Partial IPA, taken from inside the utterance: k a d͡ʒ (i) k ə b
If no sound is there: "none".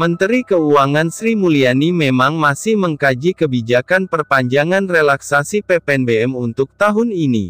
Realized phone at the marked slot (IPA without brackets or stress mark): i